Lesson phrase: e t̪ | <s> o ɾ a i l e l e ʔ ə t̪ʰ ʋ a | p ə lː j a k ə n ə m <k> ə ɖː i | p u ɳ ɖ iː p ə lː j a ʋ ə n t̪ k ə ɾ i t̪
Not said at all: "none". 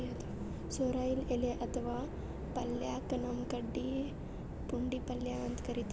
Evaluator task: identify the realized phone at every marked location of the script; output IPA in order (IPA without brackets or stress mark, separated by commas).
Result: s, k